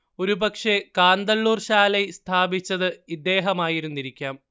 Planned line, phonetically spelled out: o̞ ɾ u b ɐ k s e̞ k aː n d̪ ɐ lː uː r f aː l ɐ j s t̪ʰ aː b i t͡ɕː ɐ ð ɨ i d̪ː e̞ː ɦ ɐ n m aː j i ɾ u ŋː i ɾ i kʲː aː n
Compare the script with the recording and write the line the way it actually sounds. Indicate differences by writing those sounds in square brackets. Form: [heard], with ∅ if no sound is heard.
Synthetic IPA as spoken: o̞ ɾ u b ɐ k [ʂ] e̞ k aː n d̪ ɐ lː uː r [ɕ] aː l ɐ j s t̪ʰ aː b i t͡ɕː ɐ ð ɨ i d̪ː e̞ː ɦ ɐ [∅] m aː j i ɾ u [nː] i ɾ i kʲː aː [m]

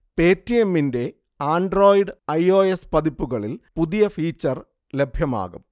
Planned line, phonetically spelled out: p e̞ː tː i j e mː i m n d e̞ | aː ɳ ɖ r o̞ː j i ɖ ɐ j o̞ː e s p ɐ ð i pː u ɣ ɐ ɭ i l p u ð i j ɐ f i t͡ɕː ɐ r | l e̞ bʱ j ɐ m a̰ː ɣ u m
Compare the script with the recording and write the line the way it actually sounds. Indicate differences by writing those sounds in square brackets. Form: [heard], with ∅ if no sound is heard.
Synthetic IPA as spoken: p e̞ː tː i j e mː i [∅] n d e̞ | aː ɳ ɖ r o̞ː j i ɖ ɐ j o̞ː e s p ɐ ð i pː u ɣ ɐ ɭ i l p u ð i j ɐ f [iː] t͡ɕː ɐ r | l e̞ bʱ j ɐ m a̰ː ɣ u m

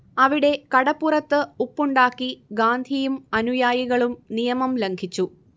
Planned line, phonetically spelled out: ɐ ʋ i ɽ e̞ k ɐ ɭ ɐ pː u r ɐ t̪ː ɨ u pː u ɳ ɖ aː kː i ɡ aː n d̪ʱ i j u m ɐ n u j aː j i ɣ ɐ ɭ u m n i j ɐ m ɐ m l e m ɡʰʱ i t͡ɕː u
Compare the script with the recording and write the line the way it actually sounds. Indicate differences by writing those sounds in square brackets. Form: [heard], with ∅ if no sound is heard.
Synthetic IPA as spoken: ɐ ʋ i ɽ e̞ k ɐ [ɽ] ɐ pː u r ɐ t̪ː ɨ u pː u ɳ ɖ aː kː i ɡ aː n d̪ʱ i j u m ɐ n u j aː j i ɣ ɐ ɭ u m n i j ɐ m ɐ m l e [ŋ] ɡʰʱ i t͡ɕː u

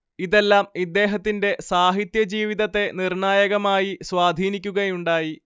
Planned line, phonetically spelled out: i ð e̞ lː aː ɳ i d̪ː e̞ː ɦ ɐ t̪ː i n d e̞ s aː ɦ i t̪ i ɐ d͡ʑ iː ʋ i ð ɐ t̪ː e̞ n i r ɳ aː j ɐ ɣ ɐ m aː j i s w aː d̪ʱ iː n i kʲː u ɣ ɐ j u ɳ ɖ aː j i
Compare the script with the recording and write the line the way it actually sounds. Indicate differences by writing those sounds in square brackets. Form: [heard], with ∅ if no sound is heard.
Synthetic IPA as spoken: i ð e̞ lː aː [m] i d̪ː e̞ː ɦ ɐ t̪ː i n d e̞ s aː ɦ i t̪ [j] ɐ d͡ʑ iː ʋ i ð ɐ t̪ː e̞ n i r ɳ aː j ɐ ɣ ɐ m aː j i s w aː d̪ʱ iː n i kʲː u ɣ ɐ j u ɳ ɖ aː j i

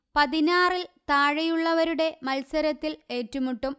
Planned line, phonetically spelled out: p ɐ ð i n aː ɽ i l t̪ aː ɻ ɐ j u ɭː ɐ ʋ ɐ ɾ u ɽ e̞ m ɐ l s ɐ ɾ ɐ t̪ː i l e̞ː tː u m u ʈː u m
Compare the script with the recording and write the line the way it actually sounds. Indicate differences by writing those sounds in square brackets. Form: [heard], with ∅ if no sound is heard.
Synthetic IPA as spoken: p ɐ ð i n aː [r] i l t̪ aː ɻ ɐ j u ɭː ɐ ʋ ɐ ɾ u ɽ e̞ m ɐ l s ɐ ɾ ɐ t̪ː i l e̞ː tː u m u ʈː u m

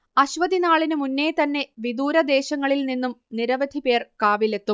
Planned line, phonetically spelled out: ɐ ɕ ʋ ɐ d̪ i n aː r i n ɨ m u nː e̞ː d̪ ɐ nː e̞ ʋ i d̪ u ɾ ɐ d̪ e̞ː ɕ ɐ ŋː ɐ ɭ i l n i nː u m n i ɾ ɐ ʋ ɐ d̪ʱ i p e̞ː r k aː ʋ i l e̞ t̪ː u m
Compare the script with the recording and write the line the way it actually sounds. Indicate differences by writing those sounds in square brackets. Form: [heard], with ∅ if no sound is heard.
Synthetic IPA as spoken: ɐ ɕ ʋ ɐ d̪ i n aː [ɭ] i n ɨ m u nː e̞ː [t̪] ɐ nː e̞ ʋ i d̪ [uː] ɾ ɐ d̪ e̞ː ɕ ɐ ŋː ɐ ɭ i l n i nː u m n i ɾ ɐ ʋ ɐ d̪ʱ i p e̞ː r k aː ʋ i l e̞ t̪ː u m

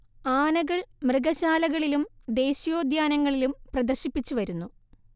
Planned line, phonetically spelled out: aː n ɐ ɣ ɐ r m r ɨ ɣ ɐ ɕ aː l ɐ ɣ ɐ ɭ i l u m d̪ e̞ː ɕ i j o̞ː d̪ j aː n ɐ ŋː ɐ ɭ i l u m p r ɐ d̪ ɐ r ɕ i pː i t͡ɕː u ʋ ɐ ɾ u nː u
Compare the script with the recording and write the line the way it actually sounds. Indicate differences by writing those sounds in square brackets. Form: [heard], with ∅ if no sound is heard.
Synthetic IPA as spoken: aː n ɐ ɣ ɐ [ɭ] m r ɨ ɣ ɐ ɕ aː l ɐ ɣ ɐ ɭ i l u m d̪ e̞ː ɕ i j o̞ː d̪ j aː n ɐ ŋː ɐ ɭ i l u m p r ɐ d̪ ɐ r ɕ i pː i t͡ɕː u ʋ ɐ ɾ u nː u

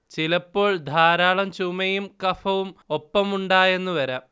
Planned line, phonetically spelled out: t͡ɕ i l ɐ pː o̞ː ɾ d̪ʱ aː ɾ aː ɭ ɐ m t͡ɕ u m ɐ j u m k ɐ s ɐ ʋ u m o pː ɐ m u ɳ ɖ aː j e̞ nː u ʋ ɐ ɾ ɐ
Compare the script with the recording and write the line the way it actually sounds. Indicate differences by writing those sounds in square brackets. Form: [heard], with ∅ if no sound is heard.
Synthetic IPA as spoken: t͡ɕ i l ɐ pː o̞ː [ɭ] d̪ʱ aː ɾ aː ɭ ɐ m t͡ɕ u m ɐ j u m k ɐ [f] ɐ ʋ u m o pː ɐ m u ɳ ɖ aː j e̞ nː u ʋ ɐ ɾ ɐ

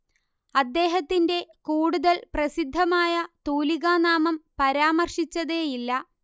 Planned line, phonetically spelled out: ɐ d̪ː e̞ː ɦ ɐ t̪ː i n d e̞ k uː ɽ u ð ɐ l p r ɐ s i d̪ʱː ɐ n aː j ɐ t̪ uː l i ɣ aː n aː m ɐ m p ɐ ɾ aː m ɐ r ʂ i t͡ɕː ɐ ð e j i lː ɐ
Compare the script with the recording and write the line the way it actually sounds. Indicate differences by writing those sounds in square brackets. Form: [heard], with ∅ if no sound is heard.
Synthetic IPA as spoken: ɐ d̪ː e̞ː ɦ ɐ t̪ː i n d e̞ k uː ɽ u ð ɐ l p r ɐ s i d̪ʱː ɐ [m] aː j ɐ t̪ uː l i ɣ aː n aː m ɐ m p ɐ ɾ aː m ɐ r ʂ i t͡ɕː ɐ ð e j i lː ɐ

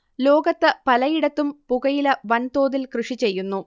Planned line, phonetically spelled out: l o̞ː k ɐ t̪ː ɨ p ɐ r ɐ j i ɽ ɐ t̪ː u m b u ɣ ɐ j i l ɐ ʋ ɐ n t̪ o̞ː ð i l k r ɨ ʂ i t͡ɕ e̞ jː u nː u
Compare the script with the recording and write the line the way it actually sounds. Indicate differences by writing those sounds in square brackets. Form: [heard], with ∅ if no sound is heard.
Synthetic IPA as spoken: l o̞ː [ɡ] ɐ t̪ː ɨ p ɐ [l] ɐ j i ɽ ɐ t̪ː u m [p] u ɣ ɐ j i l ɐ ʋ ɐ n t̪ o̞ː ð i l k r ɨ ʂ i t͡ɕ e̞ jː u nː u

